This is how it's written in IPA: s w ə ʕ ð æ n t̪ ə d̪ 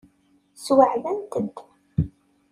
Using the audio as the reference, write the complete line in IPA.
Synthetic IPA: s w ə ʕ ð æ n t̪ ə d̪